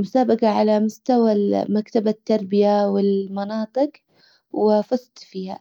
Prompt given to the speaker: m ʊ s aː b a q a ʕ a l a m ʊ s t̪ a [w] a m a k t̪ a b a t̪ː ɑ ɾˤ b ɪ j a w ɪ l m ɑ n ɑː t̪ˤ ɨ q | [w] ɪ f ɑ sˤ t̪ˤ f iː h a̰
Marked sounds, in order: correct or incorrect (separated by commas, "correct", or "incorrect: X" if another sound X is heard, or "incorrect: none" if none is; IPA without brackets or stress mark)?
correct, correct